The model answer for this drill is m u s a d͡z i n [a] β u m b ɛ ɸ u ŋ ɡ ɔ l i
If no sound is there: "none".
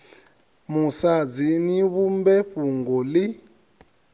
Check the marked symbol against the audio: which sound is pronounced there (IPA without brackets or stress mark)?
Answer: i